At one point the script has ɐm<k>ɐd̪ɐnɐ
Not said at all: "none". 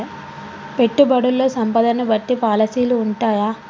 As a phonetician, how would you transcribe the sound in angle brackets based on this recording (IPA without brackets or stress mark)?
p